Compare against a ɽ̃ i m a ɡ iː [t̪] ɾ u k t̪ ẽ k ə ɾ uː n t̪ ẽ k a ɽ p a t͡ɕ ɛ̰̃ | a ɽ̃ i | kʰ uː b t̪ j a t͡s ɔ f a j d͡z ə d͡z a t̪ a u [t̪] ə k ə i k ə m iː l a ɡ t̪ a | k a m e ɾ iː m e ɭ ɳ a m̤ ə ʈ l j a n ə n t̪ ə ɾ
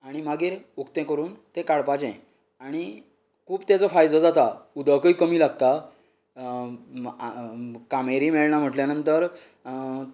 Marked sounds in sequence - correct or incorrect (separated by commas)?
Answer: incorrect, incorrect